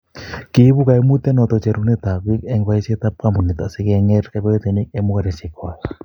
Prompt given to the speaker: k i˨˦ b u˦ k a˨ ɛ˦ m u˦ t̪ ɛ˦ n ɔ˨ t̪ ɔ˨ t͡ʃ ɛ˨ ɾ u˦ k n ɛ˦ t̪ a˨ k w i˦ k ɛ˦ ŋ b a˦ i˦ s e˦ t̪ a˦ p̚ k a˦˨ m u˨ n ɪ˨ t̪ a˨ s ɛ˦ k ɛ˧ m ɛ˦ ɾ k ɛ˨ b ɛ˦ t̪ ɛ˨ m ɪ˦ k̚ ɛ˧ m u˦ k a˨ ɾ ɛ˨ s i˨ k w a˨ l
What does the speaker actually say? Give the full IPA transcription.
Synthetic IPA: k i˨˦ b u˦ k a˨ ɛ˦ m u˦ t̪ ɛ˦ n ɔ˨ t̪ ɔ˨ t͡ʃ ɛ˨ ɾ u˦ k n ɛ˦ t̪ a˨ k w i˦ k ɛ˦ ŋ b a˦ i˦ s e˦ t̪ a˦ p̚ k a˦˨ m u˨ n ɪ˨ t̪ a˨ s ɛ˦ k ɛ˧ ŋ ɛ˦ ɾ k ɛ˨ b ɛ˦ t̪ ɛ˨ n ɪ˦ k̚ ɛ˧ m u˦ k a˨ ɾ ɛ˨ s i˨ k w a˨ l